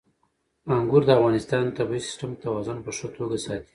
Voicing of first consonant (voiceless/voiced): voiced